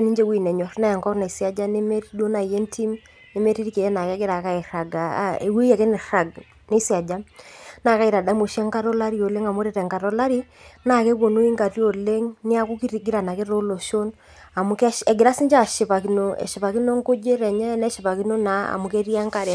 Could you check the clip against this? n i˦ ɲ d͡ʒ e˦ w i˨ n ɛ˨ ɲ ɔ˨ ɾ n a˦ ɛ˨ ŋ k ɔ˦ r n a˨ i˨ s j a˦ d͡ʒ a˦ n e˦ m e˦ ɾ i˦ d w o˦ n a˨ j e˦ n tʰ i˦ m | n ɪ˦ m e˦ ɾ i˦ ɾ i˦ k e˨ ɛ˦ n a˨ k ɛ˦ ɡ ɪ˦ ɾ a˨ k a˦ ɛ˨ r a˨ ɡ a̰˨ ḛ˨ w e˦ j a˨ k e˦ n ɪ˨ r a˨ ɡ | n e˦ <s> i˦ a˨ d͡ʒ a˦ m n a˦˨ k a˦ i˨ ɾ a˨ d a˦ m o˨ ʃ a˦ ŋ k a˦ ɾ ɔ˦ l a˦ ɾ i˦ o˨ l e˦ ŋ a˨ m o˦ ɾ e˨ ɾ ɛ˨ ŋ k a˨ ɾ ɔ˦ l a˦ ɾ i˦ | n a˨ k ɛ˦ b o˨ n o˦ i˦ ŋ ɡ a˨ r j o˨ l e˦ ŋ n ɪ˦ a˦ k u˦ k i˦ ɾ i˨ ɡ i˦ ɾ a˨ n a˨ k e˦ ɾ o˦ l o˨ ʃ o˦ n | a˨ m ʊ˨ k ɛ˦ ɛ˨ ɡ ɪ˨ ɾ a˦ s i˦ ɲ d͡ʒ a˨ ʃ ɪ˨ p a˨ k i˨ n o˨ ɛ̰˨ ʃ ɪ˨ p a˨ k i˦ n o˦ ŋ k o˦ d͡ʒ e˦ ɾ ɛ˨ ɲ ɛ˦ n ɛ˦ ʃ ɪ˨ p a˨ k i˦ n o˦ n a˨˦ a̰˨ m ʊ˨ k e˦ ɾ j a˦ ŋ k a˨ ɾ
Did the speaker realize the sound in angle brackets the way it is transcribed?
yes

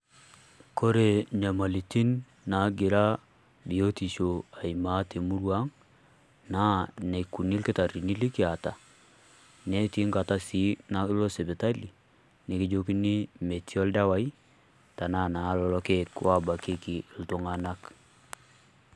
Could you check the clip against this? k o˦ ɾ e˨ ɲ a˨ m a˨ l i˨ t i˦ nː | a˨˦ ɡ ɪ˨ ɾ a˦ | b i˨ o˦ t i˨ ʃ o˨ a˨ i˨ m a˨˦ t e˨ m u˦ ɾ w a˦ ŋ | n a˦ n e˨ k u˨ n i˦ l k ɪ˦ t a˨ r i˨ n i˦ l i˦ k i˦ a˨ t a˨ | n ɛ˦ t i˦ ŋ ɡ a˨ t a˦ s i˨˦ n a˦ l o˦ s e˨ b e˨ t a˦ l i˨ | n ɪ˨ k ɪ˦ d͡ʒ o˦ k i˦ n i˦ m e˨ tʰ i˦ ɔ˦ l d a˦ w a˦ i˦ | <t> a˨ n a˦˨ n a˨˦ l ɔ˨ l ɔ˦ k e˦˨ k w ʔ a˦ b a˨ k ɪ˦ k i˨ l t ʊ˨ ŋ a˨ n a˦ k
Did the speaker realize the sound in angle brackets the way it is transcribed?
yes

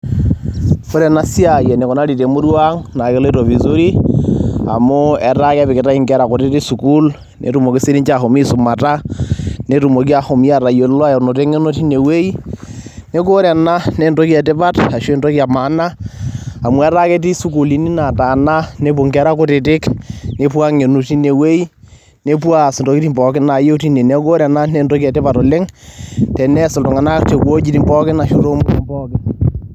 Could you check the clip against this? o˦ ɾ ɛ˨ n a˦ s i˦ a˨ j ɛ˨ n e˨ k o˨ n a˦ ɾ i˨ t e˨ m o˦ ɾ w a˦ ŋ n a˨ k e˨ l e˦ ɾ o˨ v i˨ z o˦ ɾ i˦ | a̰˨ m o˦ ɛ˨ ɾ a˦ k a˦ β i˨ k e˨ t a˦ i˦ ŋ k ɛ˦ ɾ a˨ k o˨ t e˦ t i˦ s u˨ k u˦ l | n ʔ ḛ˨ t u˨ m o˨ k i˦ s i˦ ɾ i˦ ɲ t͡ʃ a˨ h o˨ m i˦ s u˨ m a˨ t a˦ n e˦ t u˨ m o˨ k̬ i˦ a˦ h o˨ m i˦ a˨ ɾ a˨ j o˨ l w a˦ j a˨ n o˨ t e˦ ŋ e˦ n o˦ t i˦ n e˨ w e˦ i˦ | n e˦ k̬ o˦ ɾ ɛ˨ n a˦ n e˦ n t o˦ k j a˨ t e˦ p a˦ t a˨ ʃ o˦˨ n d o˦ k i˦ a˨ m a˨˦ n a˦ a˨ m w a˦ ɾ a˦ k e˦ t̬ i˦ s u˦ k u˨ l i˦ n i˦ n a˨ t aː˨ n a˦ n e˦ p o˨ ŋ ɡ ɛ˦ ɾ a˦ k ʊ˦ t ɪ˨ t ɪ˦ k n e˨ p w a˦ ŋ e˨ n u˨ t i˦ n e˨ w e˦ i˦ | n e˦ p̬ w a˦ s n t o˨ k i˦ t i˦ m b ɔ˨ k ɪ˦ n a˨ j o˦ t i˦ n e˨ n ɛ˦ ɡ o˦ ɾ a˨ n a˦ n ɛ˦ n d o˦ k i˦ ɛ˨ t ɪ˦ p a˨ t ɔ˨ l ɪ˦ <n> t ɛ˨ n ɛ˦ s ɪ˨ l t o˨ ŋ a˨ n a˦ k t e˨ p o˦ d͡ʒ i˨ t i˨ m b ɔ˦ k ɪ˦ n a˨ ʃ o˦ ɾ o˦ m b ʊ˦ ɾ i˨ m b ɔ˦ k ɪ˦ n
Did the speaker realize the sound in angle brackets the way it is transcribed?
no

